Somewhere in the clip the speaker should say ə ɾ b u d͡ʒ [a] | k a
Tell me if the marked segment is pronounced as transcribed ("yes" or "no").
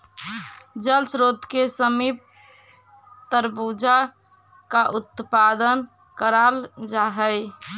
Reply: yes